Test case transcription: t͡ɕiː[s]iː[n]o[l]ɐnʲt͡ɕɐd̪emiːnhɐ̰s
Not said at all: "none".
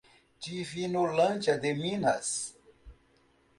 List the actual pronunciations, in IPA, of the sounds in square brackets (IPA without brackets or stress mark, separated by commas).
f, n, l